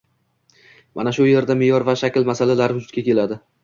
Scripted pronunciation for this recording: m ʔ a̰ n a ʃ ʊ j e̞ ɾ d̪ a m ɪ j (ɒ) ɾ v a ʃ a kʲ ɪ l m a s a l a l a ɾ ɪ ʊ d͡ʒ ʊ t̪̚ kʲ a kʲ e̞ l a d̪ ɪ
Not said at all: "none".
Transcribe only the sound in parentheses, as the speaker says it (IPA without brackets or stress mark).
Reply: ɒ